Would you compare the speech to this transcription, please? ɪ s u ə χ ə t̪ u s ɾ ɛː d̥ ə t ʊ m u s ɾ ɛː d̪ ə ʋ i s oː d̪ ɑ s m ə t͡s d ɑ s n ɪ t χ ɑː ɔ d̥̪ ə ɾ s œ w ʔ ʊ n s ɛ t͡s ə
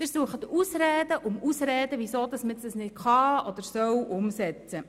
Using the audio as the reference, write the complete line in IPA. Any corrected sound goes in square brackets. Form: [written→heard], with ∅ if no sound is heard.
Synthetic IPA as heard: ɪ s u ə χ ə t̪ u s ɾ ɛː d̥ ə [t→ʔ] ʊ m u s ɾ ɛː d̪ ə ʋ i s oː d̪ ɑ s m ə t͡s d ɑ s n ɪ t χ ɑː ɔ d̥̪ ə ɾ s œ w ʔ ʊ [n→m] s ɛ t͡s ə